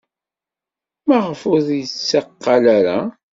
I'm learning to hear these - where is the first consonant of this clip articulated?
lips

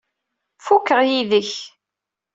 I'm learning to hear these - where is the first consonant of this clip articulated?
lips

